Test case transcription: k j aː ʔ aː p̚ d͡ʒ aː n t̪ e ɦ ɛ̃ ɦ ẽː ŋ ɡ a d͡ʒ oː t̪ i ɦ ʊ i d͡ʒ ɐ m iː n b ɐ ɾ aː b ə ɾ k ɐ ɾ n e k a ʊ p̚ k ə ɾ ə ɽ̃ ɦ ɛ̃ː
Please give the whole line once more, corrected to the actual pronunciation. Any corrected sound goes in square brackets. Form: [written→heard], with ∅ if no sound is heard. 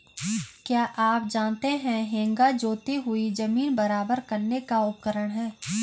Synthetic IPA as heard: k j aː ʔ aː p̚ d͡ʒ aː n t̪ e ɦ ɛ̃ ɦ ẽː ŋ ɡ a d͡ʒ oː t̪ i ɦ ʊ i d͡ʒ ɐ m iː n b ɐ ɾ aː b ə ɾ k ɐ ɾ n e k a ʊ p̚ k ə ɾ ə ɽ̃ ɦ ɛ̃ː